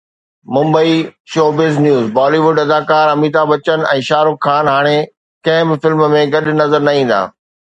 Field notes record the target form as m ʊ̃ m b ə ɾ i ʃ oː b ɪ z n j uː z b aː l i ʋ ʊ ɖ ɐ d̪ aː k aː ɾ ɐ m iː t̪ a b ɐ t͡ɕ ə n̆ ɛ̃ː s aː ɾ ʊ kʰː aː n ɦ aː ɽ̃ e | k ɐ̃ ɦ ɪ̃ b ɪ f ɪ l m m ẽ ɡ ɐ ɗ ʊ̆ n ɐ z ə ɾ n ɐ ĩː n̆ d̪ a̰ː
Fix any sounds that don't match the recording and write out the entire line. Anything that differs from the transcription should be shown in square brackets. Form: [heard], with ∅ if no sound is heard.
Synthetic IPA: m ʊ̃ m b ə [∅] i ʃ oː b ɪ z n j uː z b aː l i ʋ ʊ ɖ ɐ d̪ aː k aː ɾ ɐ m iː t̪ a b ɐ t͡ɕ ə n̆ ɛ̃ː [ʃ] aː ɾ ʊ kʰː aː n ɦ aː ɽ̃ e | k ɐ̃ ɦ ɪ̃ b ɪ f ɪ l m m ẽ ɡ ɐ ɗ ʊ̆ n ɐ z ə ɾ n ɐ ĩː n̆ d̪ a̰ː